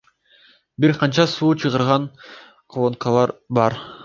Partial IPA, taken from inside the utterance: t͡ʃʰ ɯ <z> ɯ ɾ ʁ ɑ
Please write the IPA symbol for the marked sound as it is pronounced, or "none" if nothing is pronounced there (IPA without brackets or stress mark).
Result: ʁ